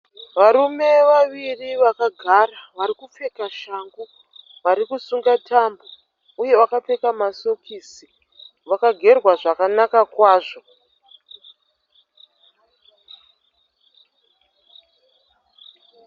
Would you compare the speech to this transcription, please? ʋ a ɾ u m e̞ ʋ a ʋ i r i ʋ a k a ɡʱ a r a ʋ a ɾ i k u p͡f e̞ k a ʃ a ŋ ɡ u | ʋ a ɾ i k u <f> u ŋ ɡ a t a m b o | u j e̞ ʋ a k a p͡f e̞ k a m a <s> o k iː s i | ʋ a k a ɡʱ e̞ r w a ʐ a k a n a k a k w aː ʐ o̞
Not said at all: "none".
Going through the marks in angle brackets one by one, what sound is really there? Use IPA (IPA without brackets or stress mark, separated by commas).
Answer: s, s